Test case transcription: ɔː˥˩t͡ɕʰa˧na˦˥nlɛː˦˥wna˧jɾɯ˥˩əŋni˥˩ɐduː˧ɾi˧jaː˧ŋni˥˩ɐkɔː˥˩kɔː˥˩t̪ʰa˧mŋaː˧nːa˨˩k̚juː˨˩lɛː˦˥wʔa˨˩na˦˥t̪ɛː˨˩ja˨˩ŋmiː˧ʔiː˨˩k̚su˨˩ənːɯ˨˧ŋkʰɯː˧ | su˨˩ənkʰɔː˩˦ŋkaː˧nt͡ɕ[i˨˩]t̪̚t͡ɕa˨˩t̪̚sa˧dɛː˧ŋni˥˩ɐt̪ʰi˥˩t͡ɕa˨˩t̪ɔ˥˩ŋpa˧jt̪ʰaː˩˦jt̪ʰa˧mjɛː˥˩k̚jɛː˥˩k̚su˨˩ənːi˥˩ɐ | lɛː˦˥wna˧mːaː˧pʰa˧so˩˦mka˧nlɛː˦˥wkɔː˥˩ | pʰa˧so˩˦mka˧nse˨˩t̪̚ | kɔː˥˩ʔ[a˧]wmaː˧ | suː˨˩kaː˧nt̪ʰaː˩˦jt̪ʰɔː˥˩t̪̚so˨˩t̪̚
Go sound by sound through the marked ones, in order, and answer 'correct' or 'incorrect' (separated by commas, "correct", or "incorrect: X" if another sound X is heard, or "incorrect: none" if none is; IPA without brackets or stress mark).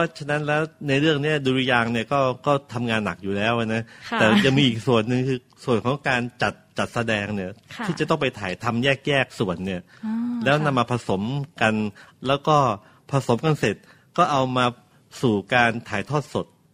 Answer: incorrect: a˨˩, correct